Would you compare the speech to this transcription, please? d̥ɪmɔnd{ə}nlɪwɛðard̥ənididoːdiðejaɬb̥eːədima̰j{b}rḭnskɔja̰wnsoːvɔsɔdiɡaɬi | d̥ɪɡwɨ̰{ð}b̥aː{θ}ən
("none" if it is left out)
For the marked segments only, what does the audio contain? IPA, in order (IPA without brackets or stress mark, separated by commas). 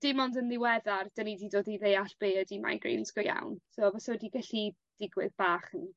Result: ə, ɡ, ð, χ